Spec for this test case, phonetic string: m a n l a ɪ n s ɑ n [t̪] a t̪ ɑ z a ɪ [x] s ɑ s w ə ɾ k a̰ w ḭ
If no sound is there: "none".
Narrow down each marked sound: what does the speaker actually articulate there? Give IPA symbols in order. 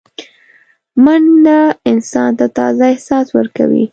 t̪, h

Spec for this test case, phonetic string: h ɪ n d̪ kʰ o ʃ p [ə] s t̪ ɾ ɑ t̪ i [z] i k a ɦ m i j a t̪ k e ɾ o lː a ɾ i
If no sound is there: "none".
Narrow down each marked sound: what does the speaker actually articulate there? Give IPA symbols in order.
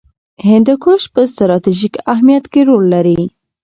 ə, ʒ

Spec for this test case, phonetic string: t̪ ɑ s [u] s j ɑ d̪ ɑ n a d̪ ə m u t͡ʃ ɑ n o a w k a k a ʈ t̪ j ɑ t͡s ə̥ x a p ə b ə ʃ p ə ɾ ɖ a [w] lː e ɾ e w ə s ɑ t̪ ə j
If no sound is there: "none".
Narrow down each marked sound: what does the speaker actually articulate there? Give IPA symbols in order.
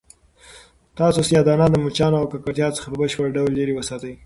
o, w

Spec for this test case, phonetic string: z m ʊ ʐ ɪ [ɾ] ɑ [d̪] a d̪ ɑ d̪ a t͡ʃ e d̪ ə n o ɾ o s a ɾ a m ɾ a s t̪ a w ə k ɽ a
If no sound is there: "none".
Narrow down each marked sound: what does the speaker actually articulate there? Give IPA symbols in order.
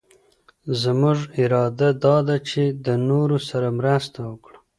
ɾ, d̪

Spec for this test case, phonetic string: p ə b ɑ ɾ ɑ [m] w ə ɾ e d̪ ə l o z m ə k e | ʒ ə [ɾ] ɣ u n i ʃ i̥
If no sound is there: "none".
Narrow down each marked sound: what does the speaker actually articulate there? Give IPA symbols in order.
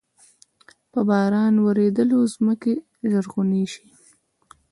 n, ɾ

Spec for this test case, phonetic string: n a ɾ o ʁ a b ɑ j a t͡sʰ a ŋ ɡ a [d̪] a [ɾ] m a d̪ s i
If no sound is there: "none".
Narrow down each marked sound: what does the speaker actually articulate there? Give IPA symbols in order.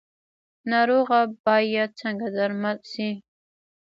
d̪, ɾ

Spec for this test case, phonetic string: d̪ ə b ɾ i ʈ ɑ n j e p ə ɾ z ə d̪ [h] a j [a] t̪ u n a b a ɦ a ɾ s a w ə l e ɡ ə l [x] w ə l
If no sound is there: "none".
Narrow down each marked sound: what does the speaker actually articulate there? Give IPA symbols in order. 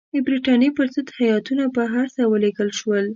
h, ɑ, ʃ

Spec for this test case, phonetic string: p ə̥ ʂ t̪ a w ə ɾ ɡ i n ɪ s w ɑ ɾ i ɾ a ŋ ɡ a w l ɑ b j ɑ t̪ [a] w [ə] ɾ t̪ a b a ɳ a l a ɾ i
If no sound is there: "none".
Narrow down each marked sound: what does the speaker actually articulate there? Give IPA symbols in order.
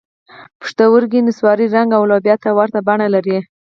a, a

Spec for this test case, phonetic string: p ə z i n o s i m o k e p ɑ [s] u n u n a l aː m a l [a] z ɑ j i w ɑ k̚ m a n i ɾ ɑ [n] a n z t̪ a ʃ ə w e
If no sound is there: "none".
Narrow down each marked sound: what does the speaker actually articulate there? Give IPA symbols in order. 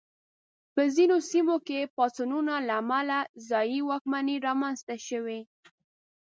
s, a, m

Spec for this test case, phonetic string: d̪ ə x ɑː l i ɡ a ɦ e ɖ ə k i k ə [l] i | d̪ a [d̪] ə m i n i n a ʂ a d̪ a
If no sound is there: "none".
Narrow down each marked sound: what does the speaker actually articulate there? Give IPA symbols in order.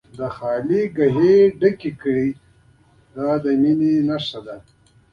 ɽ, d̪

